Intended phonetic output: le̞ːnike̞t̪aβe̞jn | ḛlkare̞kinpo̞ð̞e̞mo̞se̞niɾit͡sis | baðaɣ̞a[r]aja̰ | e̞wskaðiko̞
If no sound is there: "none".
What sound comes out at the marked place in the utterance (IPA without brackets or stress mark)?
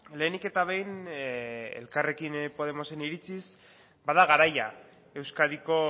ɾ